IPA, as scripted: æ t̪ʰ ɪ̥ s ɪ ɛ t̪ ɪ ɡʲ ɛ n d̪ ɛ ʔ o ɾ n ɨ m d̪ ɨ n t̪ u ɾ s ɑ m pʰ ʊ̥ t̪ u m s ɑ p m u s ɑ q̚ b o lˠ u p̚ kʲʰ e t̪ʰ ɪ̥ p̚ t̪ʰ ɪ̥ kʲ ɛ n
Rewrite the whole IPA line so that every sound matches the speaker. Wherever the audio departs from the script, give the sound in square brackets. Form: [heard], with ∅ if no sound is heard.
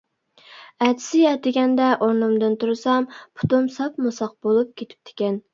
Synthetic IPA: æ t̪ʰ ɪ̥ s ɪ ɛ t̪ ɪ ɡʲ ɛ n d̪ ɛ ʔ o ɾ n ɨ m d̪ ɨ n t̪ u ɾ s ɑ m pʰ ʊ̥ t̪ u m s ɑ p m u s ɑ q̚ b o lˠ u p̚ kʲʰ e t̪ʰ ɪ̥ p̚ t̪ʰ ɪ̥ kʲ ɛ n